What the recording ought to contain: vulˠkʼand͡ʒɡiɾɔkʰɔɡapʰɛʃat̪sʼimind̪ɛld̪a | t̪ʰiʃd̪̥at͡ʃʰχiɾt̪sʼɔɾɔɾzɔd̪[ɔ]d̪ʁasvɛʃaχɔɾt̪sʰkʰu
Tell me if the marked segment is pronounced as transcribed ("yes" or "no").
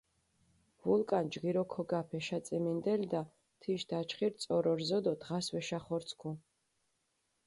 yes